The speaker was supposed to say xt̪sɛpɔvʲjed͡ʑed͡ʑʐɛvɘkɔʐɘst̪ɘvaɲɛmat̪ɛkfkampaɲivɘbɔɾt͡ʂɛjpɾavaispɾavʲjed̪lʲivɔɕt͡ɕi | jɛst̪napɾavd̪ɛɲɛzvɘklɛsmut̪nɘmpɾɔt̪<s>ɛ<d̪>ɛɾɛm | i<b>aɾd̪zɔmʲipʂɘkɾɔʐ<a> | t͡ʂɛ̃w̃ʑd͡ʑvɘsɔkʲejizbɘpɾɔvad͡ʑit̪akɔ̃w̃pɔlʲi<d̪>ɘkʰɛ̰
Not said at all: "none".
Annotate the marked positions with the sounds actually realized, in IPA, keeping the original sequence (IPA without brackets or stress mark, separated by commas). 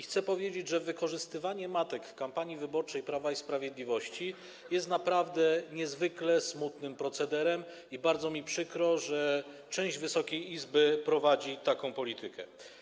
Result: s, d̪, b, ɛ, t̪